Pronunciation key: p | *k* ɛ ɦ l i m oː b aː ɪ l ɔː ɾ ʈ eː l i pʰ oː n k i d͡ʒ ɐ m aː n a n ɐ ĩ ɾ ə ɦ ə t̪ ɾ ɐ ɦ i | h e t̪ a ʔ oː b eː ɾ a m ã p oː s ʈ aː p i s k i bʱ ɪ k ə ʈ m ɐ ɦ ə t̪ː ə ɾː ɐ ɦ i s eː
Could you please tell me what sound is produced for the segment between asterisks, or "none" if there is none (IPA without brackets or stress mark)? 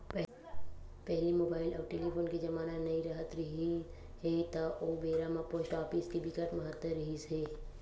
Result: p